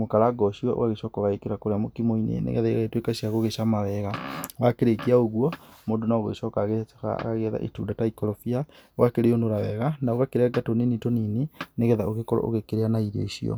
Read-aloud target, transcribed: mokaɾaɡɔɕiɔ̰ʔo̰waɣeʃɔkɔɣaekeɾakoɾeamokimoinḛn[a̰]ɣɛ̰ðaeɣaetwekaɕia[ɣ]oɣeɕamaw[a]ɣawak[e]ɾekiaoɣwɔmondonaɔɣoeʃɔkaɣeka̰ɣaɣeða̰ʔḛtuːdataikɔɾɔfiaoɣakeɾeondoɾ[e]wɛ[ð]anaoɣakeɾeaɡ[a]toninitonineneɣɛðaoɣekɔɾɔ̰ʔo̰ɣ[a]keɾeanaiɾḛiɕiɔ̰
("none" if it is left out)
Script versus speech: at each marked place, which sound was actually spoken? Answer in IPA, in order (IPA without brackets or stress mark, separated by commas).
ḛ, ɣ, ɛ, e, a, ɣ, a, e